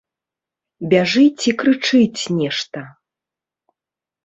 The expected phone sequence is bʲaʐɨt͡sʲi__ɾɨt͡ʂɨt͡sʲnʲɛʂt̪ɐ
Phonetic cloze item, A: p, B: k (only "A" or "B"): B